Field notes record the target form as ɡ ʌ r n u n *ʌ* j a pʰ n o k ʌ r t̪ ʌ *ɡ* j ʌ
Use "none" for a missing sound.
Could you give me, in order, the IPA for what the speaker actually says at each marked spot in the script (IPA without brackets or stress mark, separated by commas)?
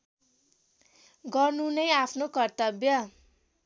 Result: ʌ, b